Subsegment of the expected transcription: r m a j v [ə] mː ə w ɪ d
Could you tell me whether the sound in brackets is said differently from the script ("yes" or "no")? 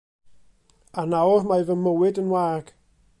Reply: no